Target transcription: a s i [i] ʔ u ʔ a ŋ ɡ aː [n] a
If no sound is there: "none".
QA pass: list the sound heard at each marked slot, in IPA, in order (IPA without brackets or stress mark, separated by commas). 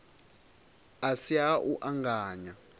a, ɲ